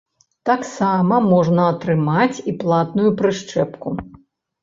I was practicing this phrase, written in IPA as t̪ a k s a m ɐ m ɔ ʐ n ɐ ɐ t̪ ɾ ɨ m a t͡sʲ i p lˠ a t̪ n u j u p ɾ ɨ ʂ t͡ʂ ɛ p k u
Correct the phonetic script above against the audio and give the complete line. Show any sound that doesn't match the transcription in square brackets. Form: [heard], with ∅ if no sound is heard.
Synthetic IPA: t̪ a k s a m ɐ m ɔ ʐ n ɐ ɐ t̪ ɾ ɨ m a t͡sʲ i p lˠ a t̪ n u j u p ɾ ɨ ʂ t͡ʂ ɛ p k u